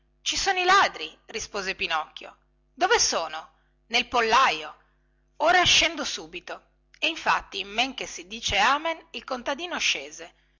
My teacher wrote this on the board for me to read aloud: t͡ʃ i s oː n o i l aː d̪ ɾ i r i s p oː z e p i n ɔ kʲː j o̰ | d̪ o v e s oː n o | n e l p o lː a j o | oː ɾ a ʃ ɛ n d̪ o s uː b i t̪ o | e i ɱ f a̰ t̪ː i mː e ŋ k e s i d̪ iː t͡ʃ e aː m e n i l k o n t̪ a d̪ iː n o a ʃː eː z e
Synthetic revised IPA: t͡ʃ i s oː n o i l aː d̪ ɾ i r i s p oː z e p i n ɔ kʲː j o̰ | d̪ o v e s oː n o | n e l p o lː a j o | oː ɾ a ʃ ɛ n d̪ o s uː b i t̪ o | e i ɱ f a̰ t̪ː i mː e ŋ k e s i d̪ iː t͡ʃ e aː m e n i l k o n t̪ a d̪ iː n o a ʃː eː z e